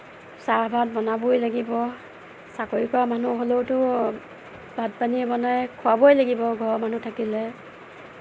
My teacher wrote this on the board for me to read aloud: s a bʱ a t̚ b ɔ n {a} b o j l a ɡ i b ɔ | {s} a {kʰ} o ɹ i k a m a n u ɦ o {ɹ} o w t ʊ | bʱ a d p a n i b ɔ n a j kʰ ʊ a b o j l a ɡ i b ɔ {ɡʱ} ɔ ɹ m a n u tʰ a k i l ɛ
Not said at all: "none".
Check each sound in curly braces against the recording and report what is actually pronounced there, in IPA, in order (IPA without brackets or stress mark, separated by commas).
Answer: a, s, k, l, ɡʱ